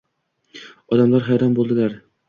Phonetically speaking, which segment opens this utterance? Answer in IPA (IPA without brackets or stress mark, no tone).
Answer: ɒ